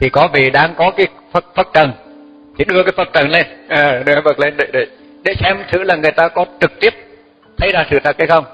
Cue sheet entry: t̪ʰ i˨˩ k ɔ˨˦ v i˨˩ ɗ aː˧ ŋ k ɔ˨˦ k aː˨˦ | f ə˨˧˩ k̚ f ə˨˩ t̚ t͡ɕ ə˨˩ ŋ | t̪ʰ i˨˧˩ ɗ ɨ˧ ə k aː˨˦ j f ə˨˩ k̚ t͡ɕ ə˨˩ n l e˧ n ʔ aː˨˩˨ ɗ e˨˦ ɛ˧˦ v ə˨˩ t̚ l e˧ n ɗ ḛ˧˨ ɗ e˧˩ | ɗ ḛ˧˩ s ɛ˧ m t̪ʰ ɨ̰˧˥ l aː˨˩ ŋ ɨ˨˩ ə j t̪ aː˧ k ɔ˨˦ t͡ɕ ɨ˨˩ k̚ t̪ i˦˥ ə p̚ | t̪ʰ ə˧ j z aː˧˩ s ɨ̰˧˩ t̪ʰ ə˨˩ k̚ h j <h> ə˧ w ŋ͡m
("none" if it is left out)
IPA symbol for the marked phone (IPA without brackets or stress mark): x